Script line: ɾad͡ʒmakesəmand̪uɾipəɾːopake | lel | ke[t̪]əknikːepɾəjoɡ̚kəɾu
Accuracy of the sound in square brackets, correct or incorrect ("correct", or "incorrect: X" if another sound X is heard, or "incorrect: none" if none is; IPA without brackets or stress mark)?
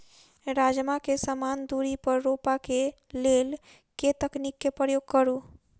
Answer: correct